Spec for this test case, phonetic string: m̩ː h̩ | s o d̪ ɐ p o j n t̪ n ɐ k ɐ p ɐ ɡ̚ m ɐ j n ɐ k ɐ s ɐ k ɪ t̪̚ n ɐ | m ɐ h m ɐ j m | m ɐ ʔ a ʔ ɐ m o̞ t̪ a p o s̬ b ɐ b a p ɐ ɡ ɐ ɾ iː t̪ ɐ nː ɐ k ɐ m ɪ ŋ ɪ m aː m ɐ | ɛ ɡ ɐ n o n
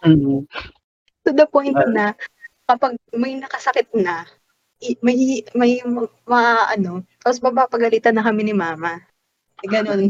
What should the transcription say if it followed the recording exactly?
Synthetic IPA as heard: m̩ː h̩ | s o d̪ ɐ p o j n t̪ n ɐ k ɐ p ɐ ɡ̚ m ɐ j n ɐ k ɐ s ɐ k ɪ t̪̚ n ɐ | m ɐ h m ɐ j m | m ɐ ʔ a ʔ ɐ n o̞ t̪ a p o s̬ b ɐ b a p ɐ ɡ ɐ l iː t̪ ɐ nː ɐ k ɐ m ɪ n ɪ m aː m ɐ | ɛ ɡ ɐ n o n